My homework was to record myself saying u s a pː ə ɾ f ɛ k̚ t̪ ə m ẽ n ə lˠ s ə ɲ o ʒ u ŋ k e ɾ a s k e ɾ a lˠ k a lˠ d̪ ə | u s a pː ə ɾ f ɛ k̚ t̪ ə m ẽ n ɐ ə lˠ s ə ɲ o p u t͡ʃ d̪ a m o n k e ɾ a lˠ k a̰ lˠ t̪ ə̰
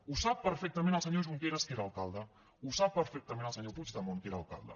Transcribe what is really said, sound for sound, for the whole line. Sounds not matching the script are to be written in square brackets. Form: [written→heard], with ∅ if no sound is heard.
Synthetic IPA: u s a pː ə ɾ f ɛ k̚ t̪ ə m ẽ n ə lˠ s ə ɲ o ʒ u ŋ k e ɾ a s k e ɾ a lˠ k a lˠ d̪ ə | u s a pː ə ɾ f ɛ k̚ t̪ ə m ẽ n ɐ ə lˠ s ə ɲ o p u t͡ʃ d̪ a m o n k e ɾ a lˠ k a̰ lˠ [t̪→d̪] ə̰